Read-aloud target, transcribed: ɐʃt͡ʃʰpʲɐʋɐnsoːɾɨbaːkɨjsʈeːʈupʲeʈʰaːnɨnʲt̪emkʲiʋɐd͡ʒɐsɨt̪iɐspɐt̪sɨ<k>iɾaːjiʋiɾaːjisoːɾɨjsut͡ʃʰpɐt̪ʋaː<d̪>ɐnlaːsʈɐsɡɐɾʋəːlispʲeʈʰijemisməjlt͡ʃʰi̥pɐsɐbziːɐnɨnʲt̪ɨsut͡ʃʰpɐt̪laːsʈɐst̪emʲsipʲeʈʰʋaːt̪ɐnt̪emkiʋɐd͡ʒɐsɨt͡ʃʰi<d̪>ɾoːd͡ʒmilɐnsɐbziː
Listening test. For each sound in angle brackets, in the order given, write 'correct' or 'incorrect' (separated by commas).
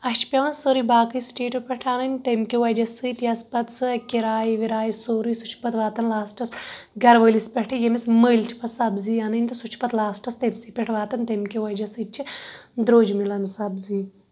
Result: correct, incorrect, correct